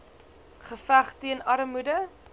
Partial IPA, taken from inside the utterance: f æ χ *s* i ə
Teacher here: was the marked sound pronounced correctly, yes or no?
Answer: no